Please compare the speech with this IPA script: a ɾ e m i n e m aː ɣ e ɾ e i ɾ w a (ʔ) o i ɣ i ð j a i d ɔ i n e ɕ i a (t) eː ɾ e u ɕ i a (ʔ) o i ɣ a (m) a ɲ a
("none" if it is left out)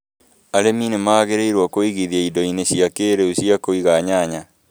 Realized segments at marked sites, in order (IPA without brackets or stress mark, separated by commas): k, k, k, ɲ